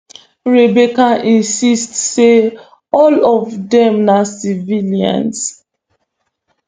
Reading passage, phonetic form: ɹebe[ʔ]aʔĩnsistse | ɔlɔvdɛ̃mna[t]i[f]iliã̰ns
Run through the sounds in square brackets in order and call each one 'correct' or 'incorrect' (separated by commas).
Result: incorrect, incorrect, incorrect